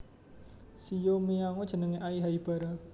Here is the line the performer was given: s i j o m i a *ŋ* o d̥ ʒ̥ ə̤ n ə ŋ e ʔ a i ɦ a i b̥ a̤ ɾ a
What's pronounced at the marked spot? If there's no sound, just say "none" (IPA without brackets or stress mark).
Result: ŋ